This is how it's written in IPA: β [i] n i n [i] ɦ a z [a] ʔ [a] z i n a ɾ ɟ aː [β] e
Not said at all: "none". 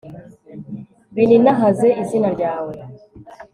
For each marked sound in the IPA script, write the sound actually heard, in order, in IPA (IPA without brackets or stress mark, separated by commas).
i, a, e, i, w